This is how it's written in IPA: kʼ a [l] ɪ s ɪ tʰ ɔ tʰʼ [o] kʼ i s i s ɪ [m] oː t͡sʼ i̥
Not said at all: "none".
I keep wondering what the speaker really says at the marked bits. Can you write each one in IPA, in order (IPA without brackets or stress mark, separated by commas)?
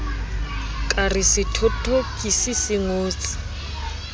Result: r, o, ŋ